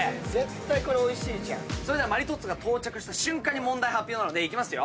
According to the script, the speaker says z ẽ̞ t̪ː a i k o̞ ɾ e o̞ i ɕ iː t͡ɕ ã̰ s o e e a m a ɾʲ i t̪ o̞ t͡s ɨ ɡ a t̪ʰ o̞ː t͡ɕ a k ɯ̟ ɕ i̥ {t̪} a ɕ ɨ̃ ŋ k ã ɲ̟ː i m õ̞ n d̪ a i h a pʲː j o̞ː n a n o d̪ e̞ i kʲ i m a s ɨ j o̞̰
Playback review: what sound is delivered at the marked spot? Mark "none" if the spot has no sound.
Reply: t̪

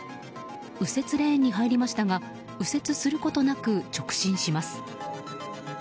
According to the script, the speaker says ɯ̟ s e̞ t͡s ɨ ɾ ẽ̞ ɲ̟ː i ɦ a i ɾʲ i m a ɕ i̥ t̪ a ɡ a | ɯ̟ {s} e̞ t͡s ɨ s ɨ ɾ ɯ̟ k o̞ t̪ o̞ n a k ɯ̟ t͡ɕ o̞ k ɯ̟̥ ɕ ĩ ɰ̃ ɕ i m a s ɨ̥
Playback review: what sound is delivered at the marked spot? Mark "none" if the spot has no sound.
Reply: s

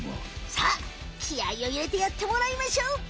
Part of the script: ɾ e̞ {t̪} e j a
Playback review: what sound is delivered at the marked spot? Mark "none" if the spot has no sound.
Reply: t̪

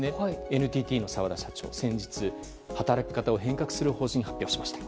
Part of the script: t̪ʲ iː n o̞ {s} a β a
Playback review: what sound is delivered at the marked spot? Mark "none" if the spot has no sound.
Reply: s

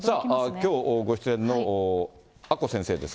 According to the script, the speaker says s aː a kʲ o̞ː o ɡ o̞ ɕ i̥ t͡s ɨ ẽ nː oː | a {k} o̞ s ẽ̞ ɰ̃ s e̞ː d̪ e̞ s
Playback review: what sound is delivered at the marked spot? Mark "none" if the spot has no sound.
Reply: k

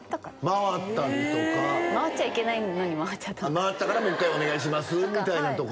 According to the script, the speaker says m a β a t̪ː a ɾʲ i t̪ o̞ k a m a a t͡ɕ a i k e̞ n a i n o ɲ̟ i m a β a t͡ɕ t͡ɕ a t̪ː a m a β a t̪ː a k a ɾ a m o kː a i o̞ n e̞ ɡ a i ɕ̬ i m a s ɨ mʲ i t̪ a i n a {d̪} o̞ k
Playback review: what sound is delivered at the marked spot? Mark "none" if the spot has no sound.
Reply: t̪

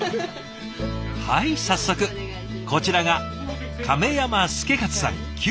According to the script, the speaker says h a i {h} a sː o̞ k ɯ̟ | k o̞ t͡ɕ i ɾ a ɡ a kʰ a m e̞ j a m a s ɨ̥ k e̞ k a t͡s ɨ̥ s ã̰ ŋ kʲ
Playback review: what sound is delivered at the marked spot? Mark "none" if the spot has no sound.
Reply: s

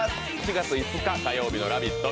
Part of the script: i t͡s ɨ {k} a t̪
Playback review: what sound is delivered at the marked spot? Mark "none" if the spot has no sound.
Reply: k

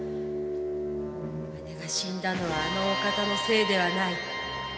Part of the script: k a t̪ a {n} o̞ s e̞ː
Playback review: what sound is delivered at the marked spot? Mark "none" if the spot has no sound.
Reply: n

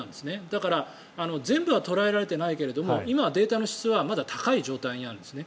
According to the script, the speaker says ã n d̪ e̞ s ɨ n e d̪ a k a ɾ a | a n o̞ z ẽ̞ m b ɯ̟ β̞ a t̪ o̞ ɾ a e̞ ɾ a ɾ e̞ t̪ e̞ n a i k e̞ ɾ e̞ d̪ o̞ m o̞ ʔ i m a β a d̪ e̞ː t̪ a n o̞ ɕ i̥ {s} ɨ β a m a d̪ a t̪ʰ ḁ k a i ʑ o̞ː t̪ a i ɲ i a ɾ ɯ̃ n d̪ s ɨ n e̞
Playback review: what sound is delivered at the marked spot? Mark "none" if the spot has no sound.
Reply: t͡s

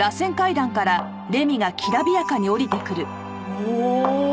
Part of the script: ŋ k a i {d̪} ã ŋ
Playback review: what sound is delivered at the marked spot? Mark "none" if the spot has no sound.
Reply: d̪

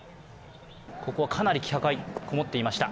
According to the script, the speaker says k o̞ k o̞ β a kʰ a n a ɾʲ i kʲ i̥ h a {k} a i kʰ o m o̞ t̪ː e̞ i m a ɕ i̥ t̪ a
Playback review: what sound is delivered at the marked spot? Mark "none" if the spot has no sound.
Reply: k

